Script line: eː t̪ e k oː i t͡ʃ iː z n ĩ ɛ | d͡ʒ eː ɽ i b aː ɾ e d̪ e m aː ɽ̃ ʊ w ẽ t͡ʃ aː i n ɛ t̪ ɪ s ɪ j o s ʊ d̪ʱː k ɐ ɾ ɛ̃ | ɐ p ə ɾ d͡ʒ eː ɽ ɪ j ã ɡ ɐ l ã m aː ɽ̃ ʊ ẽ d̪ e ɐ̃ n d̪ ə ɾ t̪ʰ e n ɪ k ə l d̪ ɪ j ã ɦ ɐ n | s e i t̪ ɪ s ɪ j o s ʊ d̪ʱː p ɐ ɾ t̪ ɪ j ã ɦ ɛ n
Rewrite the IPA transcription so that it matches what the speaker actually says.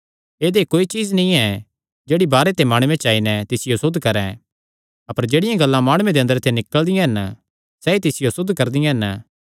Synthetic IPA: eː d̪ e k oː i t͡ʃ iː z n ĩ ɛ | d͡ʒ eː ɽ i b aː ɾ e t̪ e m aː ɽ̃ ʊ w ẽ t͡ʃ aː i n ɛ t̪ ɪ s ɪ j o s ʊ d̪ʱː k ɐ ɾ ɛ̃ | ɐ p ə ɾ d͡ʒ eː ɽ ɪ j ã ɡ ɐ lː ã m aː ɽ̃ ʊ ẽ d̪ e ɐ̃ n d̪ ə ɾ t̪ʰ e n ɪ k ə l d̪ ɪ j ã ɦ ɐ n | s ɛ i t̪ ɪ s ɪ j o s ʊ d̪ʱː k ɐ ɾ d̪ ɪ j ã ɦ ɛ n